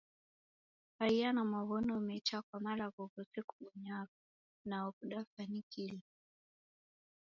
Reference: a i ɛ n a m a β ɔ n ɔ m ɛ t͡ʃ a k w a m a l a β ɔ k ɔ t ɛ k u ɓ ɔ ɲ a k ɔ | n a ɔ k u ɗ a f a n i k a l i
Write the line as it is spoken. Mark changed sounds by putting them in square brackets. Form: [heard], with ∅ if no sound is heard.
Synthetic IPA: a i [a] n a m a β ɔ n ɔ m ɛ t͡ʃ a k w a m a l a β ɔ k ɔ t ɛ k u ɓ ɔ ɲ a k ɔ | n a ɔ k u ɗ a f a n i k [i] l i

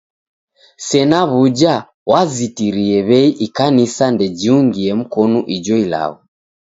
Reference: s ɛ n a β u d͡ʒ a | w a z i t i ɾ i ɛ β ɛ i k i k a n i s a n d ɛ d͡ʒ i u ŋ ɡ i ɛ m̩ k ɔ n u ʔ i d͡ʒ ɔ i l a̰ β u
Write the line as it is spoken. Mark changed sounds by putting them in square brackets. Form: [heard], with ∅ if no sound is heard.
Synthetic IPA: s ɛ n a β u d͡ʒ a | w a z i t i ɾ i ɛ β ɛ i [ʔ] i k a n i s a n d ɛ d͡ʒ i u ŋ ɡ i ɛ m̩ k ɔ n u ʔ i d͡ʒ ɔ i l a̰ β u

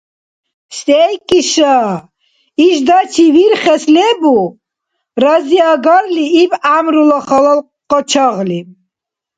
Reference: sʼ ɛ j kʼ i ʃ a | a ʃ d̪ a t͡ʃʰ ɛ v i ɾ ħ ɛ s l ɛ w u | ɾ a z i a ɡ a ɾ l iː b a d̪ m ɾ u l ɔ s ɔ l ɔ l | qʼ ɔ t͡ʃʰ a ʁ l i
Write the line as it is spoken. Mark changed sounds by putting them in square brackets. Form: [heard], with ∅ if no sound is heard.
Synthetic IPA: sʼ ɛ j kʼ i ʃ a | [i] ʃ d̪ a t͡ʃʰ [i] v i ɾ [χ] ɛ s l ɛ [b] u | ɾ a z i a ɡ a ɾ l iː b a [∅] m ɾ u l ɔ [χ] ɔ l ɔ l | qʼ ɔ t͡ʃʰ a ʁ l i

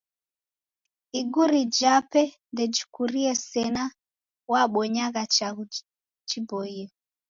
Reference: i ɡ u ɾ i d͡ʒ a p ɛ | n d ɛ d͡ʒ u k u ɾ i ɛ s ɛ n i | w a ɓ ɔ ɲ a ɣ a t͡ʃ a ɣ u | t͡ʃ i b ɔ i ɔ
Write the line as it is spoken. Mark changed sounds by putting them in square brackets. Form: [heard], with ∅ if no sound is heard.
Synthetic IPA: i ɡ u ɾ i d͡ʒ a p ɛ | n d ɛ d͡ʒ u k u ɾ i ɛ s ɛ n [a] | w a ɓ ɔ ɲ a ɣ a t͡ʃ a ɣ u | t͡ʃ i b ɔ i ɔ

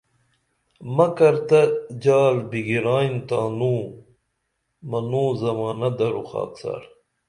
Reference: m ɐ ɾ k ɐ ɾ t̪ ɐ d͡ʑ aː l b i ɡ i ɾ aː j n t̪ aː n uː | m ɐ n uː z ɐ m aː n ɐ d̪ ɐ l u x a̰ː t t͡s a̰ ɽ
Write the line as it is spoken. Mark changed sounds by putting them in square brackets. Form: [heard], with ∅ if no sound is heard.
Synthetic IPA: m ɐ [∅] k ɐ ɾ t̪ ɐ d͡ʑ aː l b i ɡ i ɾ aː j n t̪ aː n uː | m ɐ n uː z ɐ m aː n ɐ d̪ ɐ [ɾ] u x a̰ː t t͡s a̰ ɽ

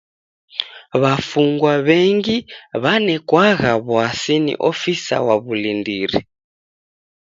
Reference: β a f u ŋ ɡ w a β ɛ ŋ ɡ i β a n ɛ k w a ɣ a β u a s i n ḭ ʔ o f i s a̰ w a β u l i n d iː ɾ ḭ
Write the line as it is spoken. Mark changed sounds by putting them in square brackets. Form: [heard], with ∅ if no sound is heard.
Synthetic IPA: β a f u ŋ ɡ w a β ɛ ŋ ɡ i β a n ɛ k w a ɣ a β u a s i n ḭ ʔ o f i s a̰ w a β u l i n d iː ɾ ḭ

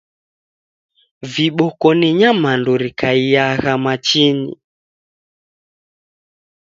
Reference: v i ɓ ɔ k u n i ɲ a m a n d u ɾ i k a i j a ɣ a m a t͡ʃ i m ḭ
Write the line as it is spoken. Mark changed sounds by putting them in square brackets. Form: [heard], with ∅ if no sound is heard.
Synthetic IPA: v i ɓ ɔ k [ɔ] n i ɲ a m a n d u ɾ i k a i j a ɣ a m a t͡ʃ i [n] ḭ

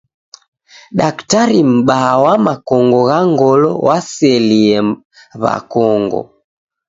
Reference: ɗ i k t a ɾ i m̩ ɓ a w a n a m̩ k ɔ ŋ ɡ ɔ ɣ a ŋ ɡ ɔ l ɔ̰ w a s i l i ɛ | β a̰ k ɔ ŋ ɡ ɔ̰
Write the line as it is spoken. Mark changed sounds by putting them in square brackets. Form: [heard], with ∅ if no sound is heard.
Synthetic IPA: ɗ [a] k t a ɾ i m̩ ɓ a w a [m] a [∅] k ɔ ŋ ɡ ɔ ɣ a ŋ ɡ ɔ l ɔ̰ w a s [ɛ] l i ɛ | β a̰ k ɔ ŋ ɡ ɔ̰

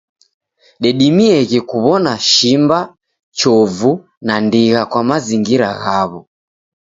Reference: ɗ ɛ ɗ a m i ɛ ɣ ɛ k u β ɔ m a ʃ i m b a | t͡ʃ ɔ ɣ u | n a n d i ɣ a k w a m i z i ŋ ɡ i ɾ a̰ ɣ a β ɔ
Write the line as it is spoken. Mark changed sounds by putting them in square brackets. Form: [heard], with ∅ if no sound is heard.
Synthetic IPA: ɗ ɛ ɗ [i] m i ɛ ɣ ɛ k u β ɔ [n] a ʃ i m b a | t͡ʃ ɔ [v] u | n a n d i ɣ a k w a m [a] z i ŋ ɡ i ɾ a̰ ɣ a β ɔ

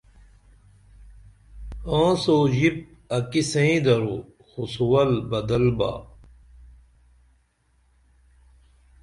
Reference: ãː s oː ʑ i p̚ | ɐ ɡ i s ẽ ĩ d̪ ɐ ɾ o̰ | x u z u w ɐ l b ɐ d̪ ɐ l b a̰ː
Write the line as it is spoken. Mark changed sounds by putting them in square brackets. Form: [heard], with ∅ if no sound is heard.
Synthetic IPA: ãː s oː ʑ i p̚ | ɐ [k] i s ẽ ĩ d̪ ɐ ɾ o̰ | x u [s] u w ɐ l b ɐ d̪ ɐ l b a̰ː

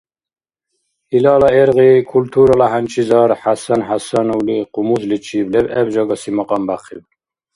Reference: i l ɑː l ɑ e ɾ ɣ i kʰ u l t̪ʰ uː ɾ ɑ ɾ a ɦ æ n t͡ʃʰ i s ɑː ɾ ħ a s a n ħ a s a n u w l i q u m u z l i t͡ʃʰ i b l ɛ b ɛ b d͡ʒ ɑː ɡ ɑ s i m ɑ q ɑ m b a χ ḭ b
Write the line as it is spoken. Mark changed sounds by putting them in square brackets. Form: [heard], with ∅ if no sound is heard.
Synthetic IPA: i l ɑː l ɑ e ɾ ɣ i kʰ u l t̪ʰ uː ɾ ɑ [l] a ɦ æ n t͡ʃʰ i [z] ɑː ɾ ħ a s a n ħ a s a n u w l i q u m u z l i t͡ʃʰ i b l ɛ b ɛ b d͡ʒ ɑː ɡ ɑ s i m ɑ q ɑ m b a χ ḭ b

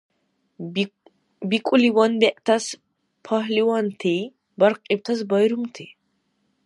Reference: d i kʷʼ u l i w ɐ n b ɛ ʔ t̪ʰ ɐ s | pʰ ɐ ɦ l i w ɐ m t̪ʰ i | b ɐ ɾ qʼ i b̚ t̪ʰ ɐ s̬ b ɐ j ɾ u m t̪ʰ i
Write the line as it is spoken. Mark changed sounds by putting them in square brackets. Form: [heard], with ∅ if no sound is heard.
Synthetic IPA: [b] i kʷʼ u l i w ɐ n b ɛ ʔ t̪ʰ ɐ s | pʰ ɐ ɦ l i w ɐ [n] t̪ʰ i | b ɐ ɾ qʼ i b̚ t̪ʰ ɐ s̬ b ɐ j ɾ u m t̪ʰ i

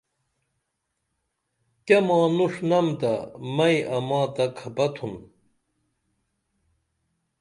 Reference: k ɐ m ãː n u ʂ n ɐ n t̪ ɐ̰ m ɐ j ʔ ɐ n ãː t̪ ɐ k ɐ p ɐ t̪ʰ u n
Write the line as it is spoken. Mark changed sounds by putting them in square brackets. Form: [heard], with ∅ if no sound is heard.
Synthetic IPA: k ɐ m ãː n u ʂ n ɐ [m] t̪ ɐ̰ m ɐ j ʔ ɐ [m] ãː t̪ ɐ [kʰ] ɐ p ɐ t̪ʰ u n

